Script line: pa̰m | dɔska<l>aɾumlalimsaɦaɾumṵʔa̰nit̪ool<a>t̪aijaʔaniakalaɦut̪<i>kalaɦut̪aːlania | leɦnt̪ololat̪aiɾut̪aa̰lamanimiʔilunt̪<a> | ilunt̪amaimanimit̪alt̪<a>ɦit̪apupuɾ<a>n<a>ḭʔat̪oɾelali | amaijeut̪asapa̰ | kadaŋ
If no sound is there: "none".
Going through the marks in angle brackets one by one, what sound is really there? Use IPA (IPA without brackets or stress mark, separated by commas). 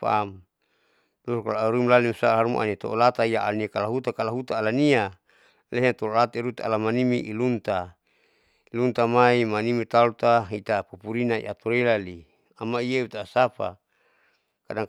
l, a, a, a, a, i, a